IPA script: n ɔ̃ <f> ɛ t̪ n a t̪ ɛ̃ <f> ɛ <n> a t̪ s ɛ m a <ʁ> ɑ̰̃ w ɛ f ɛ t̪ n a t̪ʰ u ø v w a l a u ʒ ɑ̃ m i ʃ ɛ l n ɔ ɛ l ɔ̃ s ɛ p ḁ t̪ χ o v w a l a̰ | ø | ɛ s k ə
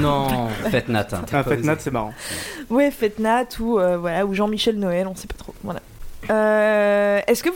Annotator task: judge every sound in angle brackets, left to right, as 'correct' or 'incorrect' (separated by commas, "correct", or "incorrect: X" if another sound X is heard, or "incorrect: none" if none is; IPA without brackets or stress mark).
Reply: correct, correct, correct, correct